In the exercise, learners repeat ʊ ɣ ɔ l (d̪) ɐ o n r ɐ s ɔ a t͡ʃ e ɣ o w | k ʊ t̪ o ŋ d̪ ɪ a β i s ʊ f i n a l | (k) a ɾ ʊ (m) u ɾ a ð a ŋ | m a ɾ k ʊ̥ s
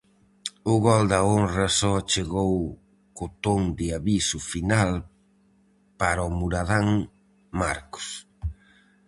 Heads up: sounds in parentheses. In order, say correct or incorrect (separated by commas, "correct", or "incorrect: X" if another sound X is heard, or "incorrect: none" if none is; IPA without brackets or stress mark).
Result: correct, incorrect: p, correct